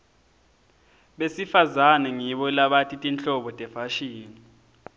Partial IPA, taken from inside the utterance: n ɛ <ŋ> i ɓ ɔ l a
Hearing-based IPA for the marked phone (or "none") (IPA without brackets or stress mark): ŋ